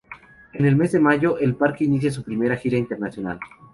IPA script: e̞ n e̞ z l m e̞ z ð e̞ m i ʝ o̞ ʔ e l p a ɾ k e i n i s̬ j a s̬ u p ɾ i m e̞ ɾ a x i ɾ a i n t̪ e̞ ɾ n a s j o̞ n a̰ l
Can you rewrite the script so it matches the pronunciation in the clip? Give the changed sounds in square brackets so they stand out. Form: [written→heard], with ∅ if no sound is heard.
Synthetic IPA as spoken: e̞ n e̞ [z→∅] l m e̞ z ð e̞ m [i→a] ʝ o̞ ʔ e l p a ɾ k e i n i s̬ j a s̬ u p ɾ i m e̞ ɾ a x i ɾ a i n t̪ e̞ ɾ n a s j o̞ n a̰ l